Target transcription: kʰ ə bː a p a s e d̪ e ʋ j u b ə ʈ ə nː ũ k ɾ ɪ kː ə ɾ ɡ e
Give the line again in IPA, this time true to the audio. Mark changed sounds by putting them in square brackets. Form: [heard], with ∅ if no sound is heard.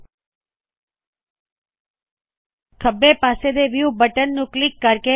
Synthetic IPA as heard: kʰ ə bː [e] p a s e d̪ e ʋ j u b ə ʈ ə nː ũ k [l] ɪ kː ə ɾ [k] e